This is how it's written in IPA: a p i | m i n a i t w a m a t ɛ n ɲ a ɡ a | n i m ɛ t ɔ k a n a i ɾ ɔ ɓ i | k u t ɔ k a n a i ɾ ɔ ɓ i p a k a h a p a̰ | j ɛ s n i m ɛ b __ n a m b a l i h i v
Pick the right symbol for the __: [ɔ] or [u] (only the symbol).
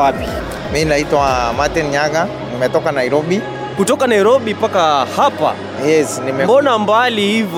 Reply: ɔ